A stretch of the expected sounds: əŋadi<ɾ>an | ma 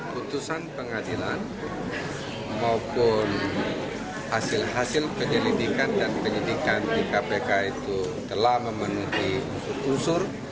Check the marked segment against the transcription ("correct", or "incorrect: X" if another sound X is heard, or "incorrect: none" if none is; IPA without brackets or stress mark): incorrect: l